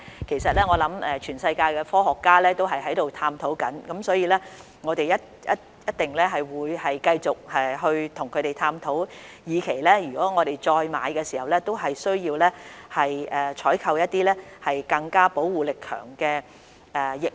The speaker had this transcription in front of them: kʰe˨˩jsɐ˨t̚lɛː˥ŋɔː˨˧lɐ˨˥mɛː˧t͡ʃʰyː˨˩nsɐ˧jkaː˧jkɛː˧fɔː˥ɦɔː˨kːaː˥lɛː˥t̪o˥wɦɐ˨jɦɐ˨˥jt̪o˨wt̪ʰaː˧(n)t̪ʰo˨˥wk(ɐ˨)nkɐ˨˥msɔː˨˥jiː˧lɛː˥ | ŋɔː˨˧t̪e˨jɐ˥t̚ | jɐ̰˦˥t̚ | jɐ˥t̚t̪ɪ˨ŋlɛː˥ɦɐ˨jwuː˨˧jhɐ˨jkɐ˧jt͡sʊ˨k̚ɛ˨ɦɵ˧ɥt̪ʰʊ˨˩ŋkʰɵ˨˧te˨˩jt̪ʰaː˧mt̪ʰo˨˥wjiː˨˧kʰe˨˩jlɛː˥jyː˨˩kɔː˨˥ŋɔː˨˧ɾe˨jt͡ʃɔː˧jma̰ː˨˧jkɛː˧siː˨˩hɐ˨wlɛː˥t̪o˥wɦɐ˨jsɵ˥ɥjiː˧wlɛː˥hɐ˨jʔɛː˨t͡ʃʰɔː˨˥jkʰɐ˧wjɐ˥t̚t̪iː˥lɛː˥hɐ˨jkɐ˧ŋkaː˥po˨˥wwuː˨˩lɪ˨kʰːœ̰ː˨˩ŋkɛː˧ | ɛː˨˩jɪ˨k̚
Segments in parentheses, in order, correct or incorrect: incorrect: m, incorrect: ɐ˨˥

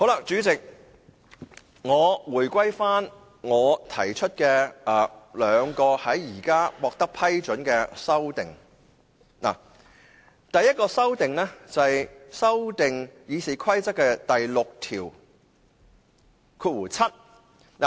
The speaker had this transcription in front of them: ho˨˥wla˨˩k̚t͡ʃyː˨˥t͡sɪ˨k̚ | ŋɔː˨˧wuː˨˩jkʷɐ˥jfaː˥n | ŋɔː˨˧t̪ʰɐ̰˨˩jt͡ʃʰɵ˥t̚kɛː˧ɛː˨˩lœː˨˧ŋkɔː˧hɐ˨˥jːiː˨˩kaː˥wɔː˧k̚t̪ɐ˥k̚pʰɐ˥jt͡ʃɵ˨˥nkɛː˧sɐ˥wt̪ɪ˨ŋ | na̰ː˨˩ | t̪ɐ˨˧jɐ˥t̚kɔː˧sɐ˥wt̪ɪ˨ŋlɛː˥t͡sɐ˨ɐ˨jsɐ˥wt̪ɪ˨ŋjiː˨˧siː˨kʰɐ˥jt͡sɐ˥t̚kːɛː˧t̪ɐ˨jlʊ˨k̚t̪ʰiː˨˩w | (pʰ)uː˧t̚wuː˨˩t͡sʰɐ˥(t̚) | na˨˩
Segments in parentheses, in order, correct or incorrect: incorrect: kʰ, correct

